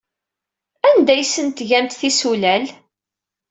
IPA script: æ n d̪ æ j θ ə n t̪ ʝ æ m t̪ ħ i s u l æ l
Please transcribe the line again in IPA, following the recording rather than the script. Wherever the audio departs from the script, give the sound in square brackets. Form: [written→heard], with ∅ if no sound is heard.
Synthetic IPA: æ n d̪ æ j [θ→s] ə n t̪ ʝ æ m t̪ [ħ→θ] i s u l æ l